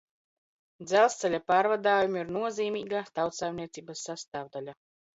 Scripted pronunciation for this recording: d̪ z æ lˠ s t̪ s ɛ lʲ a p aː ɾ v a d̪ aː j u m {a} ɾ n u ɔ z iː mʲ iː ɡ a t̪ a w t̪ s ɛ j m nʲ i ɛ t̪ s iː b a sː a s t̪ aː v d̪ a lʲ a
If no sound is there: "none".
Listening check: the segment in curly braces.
i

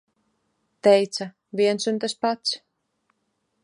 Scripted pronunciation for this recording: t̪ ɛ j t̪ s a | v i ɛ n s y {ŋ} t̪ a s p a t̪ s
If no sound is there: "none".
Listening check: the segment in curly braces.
n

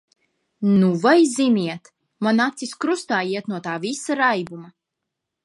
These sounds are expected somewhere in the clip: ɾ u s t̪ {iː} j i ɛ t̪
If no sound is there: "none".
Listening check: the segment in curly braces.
aː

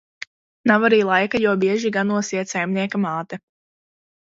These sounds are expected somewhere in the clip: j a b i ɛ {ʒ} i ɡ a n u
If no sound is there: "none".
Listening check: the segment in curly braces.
ʒ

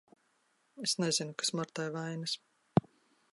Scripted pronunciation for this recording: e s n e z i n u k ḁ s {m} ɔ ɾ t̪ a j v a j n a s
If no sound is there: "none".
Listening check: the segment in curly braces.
m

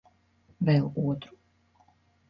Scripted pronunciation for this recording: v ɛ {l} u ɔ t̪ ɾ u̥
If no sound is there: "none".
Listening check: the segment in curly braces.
l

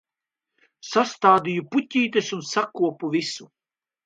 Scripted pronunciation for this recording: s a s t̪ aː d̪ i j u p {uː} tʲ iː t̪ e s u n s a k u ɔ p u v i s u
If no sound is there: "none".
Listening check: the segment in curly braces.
u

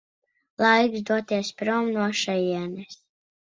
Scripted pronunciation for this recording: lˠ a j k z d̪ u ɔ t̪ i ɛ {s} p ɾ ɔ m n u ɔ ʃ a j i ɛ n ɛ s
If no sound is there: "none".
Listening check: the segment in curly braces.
s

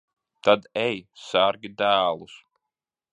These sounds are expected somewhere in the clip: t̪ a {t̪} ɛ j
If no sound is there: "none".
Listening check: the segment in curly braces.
d̪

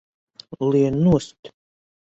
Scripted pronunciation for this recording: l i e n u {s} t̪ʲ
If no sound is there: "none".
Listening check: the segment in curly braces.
s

